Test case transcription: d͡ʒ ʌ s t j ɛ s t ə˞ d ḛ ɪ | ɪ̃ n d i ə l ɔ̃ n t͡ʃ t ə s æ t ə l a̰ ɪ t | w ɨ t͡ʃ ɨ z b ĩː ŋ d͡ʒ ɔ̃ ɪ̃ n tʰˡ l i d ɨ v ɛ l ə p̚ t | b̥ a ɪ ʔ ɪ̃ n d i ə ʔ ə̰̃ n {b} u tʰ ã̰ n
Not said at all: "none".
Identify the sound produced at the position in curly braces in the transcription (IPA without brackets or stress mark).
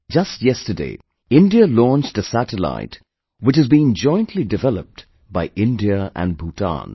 b